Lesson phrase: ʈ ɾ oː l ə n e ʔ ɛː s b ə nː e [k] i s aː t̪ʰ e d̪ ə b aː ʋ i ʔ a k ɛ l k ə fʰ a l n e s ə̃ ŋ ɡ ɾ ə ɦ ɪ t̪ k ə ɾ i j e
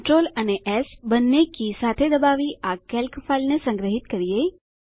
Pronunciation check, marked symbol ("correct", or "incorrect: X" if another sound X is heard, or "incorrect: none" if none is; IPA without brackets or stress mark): correct